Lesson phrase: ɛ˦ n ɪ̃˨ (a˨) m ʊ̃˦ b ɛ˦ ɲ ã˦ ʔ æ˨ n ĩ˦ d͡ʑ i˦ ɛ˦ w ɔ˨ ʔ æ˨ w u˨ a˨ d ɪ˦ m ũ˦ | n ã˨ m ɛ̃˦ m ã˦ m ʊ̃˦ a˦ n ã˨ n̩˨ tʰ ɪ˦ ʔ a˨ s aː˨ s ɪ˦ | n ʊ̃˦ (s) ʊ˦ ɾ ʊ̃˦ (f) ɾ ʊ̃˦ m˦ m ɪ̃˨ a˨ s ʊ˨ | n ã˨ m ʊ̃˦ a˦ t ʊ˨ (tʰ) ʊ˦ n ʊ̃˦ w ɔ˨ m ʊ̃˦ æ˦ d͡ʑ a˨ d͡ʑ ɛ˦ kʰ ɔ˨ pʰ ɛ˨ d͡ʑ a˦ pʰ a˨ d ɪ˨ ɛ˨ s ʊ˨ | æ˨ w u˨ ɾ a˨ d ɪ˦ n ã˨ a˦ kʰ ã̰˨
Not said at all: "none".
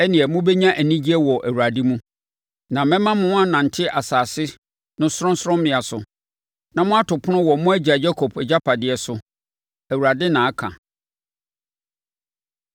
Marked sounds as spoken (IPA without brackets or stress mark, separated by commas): ɛ˨, s, s, pʰ